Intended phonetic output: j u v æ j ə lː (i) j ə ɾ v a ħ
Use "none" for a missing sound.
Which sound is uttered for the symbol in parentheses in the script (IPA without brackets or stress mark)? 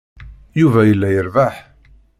æ